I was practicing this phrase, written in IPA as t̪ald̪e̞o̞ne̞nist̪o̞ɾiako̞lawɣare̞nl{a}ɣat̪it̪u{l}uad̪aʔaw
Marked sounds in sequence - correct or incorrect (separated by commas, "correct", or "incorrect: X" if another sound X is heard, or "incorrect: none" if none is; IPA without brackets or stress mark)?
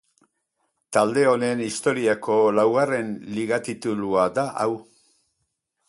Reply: incorrect: i, correct